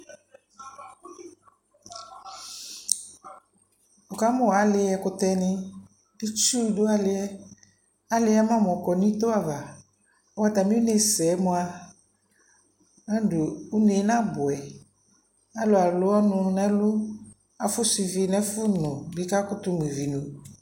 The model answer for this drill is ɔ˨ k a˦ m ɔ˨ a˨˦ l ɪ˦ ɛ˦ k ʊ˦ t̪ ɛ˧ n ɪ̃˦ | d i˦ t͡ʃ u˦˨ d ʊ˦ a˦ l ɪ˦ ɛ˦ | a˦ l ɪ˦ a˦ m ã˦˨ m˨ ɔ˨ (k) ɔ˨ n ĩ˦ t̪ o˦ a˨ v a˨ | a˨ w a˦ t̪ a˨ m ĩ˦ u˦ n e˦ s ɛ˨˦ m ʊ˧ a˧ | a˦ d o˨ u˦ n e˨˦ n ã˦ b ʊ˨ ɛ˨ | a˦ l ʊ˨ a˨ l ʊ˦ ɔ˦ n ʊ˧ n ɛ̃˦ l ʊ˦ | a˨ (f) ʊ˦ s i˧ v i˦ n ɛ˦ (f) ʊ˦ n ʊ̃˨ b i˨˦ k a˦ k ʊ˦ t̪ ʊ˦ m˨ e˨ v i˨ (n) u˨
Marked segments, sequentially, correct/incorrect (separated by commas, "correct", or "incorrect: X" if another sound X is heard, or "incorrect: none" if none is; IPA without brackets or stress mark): correct, correct, correct, correct